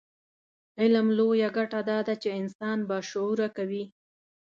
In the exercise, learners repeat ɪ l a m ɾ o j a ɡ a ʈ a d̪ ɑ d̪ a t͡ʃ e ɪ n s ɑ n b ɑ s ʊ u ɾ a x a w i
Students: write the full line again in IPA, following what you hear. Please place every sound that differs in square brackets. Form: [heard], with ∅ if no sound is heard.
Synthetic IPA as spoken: ɪ l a m [l] o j a ɡ a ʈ a d̪ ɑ d̪ a t͡ʃ e ɪ n s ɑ n b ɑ [ʃ] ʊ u ɾ a [k] a w i